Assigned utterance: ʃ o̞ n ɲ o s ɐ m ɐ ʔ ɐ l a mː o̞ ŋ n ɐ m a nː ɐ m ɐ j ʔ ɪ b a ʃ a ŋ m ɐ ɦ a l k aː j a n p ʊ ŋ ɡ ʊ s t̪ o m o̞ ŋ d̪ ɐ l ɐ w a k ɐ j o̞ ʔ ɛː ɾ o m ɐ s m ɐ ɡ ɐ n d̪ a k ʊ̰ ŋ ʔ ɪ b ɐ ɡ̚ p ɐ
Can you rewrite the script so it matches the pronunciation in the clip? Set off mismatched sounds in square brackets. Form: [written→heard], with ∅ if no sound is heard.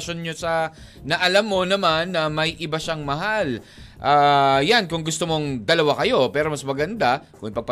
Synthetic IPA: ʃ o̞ n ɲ o s ɐ [m→n] ɐ ʔ ɐ l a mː o̞ [ŋ→∅] n ɐ m a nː ɐ m ɐ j ʔ ɪ b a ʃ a ŋ m ɐ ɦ a l [k→ʔ] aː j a n [p→k] ʊ ŋ ɡ ʊ s t̪ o m o̞ ŋ d̪ ɐ l ɐ w a k ɐ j o̞ [ʔ→p] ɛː ɾ o m ɐ s m ɐ ɡ ɐ n d̪ a k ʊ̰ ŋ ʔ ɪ [b→p] ɐ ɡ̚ p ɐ